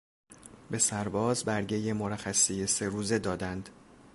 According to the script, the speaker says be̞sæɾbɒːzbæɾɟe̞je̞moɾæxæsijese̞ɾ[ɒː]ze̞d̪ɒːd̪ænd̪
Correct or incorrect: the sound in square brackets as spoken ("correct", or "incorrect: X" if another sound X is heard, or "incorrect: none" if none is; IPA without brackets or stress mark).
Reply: incorrect: uː